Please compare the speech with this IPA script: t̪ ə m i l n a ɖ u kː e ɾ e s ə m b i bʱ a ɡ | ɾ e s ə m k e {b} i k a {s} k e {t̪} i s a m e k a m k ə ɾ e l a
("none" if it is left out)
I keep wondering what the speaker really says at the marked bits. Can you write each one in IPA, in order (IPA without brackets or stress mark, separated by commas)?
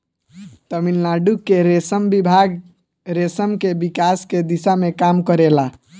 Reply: b, s, d̪